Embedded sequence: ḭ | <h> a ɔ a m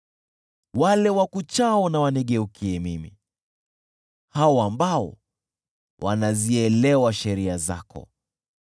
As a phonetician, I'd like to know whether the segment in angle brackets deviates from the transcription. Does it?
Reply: no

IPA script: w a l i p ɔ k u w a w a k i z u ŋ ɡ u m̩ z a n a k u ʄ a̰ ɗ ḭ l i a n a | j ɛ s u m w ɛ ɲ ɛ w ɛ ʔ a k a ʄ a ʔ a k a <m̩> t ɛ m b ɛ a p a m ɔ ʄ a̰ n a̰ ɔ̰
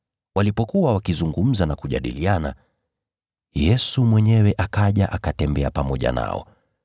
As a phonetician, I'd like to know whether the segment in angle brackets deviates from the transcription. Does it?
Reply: yes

